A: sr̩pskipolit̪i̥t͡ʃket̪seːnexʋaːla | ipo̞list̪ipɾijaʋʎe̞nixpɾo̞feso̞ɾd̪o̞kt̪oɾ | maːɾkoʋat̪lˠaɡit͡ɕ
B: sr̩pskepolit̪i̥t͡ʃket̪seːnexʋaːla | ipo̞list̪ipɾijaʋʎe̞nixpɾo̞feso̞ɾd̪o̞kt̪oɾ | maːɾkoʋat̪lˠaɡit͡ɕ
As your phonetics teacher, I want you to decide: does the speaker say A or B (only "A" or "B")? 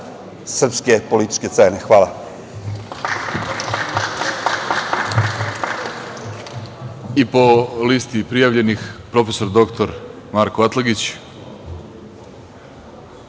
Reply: B